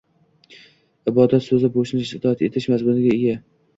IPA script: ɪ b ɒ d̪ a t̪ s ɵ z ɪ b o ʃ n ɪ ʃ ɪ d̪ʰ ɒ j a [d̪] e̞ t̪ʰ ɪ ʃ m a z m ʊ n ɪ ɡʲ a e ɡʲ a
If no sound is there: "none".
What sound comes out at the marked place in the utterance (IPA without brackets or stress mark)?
t̪